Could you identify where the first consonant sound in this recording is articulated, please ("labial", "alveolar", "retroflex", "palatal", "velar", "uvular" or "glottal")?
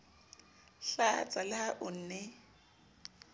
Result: alveolar